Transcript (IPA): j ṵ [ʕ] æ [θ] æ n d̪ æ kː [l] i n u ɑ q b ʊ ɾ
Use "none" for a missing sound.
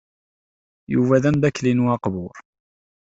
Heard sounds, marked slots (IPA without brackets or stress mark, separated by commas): v, ð, l